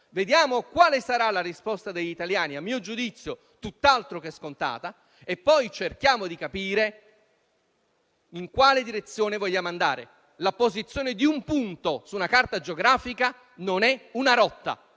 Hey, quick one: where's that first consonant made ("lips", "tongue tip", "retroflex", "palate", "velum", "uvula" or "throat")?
lips